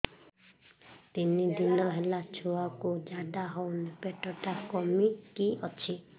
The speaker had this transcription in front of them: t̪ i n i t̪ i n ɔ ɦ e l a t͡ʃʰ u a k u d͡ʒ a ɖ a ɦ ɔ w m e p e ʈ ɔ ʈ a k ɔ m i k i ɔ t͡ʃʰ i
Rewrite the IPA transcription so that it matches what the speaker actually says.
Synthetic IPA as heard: t̪ i n i d̪ i n ɔ ɦ e l a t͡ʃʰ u a k u d͡ʒ a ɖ a ɦ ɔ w n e p e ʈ ɔ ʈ a k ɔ m i k i ɔ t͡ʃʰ i